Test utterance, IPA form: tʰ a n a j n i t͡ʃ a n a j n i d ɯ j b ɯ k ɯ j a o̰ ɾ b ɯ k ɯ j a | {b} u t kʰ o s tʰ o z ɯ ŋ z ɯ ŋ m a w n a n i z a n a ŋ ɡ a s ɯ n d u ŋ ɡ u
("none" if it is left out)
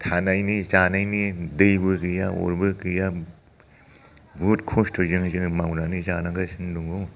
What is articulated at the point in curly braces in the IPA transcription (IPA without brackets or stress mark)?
b